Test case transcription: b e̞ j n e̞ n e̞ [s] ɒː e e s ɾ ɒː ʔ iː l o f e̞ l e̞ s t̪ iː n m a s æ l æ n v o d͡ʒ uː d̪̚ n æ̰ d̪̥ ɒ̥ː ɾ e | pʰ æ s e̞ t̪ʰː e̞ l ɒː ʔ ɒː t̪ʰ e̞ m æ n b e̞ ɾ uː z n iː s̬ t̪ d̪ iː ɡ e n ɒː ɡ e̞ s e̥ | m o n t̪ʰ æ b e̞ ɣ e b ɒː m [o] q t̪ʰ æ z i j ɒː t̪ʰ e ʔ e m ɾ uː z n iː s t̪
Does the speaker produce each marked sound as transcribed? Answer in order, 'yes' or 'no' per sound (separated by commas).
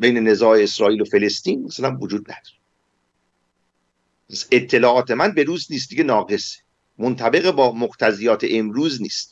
no, yes